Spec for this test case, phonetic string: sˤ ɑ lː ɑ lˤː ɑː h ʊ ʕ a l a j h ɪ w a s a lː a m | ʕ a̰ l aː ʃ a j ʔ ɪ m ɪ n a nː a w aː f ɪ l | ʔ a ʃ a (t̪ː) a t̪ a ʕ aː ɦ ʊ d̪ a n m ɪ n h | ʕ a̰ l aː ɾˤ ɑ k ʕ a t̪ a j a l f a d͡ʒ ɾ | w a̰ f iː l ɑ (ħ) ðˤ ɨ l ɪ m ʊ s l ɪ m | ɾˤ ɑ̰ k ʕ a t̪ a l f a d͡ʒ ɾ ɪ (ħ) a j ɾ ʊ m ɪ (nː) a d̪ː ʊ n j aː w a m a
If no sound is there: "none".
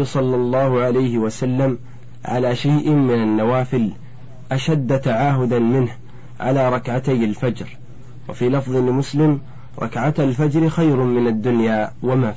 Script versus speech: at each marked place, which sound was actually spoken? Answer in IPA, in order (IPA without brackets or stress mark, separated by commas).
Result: d̪ː, f, x, n